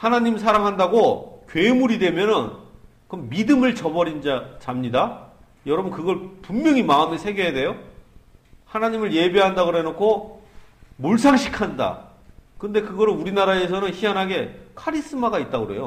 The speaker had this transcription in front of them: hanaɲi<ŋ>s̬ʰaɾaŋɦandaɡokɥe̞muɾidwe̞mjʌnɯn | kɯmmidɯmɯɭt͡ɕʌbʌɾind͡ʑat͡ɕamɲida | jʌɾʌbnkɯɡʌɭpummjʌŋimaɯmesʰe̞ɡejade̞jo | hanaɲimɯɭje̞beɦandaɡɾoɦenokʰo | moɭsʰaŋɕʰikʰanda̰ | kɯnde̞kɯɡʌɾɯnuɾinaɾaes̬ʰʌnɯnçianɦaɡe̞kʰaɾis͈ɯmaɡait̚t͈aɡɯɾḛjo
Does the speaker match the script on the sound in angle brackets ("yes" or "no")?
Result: no